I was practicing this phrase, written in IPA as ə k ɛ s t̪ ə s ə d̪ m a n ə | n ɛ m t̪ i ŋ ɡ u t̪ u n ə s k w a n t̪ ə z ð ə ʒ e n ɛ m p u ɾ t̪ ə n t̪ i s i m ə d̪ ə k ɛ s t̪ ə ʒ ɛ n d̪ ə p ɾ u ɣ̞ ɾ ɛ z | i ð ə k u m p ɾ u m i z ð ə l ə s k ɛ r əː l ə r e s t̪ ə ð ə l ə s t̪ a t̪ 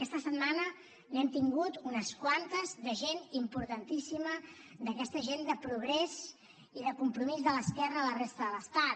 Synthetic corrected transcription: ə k ɛ s t̪ ə s ə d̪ m a n ə | n ɛ m t̪ i ŋ ɡ u t̪ u n ə s k w a n t̪ ə z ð ə ʒ e n i m p u ɾ t̪ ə n t̪ i s i m ə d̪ ə k ɛ s t̪ ə ʒ e n d̪ ə p ɾ u ɣ̞ ɾ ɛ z | i ð ə k u m p ɾ u m i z ð ə l ə s k ɛ r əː l ə r e s t̪ ə ð ə l ə s t̪ a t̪